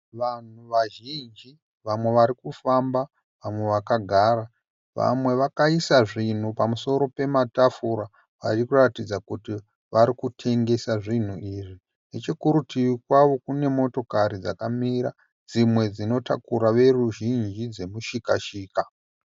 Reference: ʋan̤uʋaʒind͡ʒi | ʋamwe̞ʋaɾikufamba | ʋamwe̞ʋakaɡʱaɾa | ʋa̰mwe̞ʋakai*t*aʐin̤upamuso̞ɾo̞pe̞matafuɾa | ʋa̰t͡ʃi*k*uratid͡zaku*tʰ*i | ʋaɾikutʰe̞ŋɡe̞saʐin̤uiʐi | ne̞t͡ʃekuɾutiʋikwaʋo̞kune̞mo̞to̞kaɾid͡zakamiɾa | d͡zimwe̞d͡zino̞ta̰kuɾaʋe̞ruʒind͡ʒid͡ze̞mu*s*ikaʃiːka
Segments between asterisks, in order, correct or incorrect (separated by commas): incorrect, correct, incorrect, incorrect